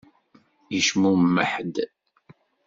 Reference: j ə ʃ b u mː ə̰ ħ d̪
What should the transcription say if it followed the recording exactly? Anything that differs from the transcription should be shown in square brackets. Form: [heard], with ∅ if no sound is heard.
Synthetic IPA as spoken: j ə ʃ [m] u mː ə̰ ħ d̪